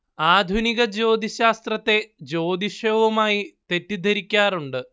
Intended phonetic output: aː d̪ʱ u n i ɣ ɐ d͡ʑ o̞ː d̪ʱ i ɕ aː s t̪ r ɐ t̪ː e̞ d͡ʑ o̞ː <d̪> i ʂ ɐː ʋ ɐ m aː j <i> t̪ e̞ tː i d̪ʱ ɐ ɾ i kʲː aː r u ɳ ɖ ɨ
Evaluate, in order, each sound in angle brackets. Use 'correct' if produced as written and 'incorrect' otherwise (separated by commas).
correct, correct